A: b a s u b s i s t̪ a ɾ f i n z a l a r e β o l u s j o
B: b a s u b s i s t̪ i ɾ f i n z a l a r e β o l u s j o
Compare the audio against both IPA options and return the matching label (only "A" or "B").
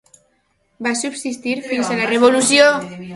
B